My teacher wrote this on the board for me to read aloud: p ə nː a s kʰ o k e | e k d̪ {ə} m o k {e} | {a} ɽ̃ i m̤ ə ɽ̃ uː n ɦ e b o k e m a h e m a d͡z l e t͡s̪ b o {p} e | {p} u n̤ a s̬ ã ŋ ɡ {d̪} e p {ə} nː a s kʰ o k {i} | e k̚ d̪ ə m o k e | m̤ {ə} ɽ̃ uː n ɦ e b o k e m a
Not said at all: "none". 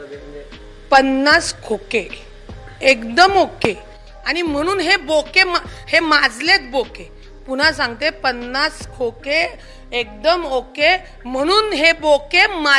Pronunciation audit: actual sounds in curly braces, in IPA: ə, e, a, k, p, t̪, ə, e, ə

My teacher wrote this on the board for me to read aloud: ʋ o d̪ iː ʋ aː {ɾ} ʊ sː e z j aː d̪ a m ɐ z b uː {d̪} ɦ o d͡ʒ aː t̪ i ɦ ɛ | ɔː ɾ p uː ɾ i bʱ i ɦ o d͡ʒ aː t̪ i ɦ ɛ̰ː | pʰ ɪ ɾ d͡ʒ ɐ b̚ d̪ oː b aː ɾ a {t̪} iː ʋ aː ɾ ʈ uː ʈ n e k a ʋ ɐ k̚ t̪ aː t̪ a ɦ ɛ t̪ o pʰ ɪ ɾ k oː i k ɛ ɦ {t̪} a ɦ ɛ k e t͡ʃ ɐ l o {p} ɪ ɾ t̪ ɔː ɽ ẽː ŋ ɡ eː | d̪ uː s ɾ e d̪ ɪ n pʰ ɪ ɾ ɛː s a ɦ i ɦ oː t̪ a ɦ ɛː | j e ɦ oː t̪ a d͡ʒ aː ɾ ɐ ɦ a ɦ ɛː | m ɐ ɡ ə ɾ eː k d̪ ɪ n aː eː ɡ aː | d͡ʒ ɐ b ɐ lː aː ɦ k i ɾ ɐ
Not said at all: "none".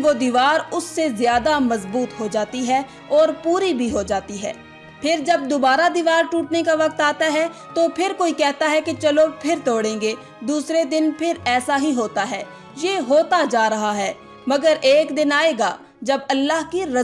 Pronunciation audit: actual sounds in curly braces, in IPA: ɾ, t̪, d̪, t̪, pʰ

